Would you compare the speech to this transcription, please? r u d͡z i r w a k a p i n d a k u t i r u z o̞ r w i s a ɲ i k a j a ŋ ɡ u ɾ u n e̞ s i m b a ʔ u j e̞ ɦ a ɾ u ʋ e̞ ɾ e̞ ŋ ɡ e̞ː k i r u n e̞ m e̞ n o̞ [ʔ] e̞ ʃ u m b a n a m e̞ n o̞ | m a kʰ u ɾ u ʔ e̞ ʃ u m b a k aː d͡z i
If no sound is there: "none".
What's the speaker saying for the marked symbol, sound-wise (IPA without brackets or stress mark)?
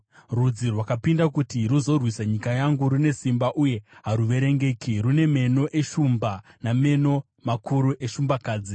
ʔ